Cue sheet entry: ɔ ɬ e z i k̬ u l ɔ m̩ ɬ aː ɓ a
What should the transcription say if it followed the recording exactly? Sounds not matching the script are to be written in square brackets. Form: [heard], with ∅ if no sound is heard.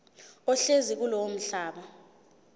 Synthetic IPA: ɔ ɬ e z i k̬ u l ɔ m̩ ɬ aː ɓ a

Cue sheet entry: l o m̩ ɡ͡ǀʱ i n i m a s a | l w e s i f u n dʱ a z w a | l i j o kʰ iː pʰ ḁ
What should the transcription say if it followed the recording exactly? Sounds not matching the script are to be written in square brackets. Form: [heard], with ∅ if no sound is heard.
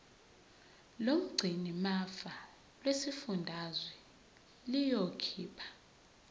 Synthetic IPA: l o m̩ ɡ͡ǀʱ i n i m a [f] a | l w e s i f u n dʱ a z w [ɛ] | l i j o kʰ iː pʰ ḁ

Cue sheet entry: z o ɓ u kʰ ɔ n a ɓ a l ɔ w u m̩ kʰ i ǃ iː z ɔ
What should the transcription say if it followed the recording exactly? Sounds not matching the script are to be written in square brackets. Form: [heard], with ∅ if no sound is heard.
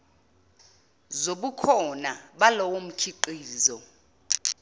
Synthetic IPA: z o ɓ u kʰ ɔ n a ɓ a l ɔ w [o] m̩ kʰ i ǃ iː z ɔ

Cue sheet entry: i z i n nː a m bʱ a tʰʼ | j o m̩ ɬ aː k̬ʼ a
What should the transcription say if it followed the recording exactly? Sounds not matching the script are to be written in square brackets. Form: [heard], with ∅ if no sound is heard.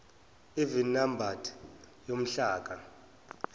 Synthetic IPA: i [v] i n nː a m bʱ a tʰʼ | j o m̩ ɬ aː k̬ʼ a

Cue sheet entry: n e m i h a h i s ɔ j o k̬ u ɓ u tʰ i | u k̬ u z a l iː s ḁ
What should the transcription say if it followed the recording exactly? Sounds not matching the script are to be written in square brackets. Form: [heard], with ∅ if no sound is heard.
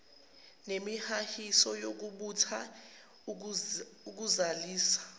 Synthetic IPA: n e m i h a h i s ɔ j o k̬ u ɓ u tʰ [a] | u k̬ u z a l iː s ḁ

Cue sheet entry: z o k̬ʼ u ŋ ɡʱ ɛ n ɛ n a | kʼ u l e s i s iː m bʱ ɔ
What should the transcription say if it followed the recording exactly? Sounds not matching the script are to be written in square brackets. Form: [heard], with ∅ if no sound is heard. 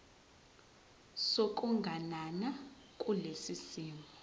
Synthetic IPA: [s] o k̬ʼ u ŋ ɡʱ [a] n [a] n a | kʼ u l e s i s iː m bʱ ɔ

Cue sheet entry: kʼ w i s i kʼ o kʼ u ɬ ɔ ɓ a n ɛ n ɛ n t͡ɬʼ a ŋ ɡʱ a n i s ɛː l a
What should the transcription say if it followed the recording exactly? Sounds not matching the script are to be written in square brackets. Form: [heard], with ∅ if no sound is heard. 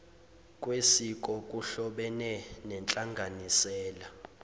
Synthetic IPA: kʼ w [e] s i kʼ [ɔ] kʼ u ɬ ɔ ɓ [ɛ] n ɛ n ɛ n t͡ɬʼ a ŋ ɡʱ a n i s ɛː l a

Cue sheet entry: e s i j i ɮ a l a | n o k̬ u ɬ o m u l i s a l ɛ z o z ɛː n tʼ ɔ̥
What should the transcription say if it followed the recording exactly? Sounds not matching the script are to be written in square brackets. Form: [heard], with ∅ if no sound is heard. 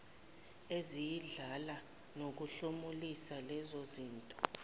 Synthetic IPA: e [z] i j i ɮ a l a | n o k̬ u ɬ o m u l i s a l ɛ z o z [iː] n tʼ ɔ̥

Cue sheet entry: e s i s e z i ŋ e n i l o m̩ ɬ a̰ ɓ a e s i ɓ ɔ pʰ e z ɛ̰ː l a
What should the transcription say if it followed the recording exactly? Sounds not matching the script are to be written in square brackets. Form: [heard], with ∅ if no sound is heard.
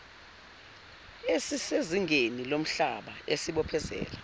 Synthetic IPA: e s i s e z i ŋ e n i l o m̩ ɬ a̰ ɓ a e s i ɓ ɔ pʰ [ɛ] z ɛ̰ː l a

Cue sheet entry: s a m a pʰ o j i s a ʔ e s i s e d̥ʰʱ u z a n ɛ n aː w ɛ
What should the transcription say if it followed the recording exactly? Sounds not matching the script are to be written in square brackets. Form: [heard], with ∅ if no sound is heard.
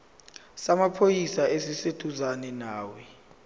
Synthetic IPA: s a m a pʰ o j i s a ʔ e s i s e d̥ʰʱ u z a n ɛ n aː w ɛ

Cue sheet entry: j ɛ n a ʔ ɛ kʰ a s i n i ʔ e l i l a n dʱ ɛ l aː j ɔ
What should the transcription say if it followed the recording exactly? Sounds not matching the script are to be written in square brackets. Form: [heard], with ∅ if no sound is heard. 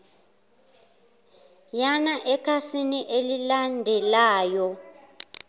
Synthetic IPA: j [a] n a ʔ ɛ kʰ a s i n i ʔ e l i l a n dʱ ɛ l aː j ɔ

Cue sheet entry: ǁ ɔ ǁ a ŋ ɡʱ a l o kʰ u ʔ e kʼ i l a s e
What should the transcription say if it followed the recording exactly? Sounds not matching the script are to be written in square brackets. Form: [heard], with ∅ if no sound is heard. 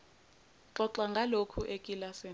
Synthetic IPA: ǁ ɔ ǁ a ŋ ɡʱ a l o kʰ u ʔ e kʼ i l a s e

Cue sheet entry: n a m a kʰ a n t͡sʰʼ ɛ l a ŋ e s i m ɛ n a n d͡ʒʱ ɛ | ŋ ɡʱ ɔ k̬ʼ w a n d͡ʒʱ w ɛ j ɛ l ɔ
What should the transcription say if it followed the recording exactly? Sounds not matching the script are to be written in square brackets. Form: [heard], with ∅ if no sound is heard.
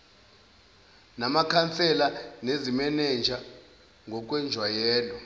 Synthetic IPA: n a m a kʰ a n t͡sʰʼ ɛ l a [n] e [z] i m ɛ n [ɛ] n d͡ʒʱ [a] | ŋ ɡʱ ɔ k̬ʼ w [ɛ] n d͡ʒʱ w [a] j [ɛː] l ɔ

